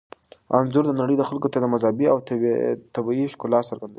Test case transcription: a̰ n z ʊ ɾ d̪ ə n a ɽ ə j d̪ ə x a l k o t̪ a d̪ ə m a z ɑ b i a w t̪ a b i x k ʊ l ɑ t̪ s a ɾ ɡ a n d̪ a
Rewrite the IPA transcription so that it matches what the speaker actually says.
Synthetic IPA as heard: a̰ n z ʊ ɾ d̪ ə n a ɽ ə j d̪ ə x a l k o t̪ a d̪ ə m a z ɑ b i a w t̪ a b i ʃ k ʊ l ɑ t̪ s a ɾ ɡ a n d̪ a